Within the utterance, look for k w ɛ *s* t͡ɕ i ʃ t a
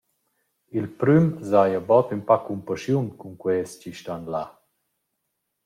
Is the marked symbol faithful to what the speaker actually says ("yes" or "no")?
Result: yes